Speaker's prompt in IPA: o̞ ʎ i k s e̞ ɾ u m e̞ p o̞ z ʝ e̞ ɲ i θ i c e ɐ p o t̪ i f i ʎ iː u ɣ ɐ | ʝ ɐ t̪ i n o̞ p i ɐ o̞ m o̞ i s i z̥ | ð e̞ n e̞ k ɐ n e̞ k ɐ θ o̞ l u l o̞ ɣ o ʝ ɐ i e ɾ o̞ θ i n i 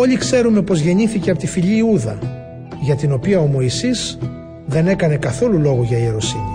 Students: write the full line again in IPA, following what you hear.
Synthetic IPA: o̞ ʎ i k s e̞ ɾ u m e̞ p o̞ z ʝ e̞ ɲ i θ i c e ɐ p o t̪ i f i ʎ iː u ð ɐ | ʝ ɐ t̪ i n o̞ p i ɐ o̞ m o̞ i s i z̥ | ð e̞ n e̞ k ɐ n e̞ k ɐ θ o̞ l u l o̞ ɣ o ʝ ɐ i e ɾ o̞ s i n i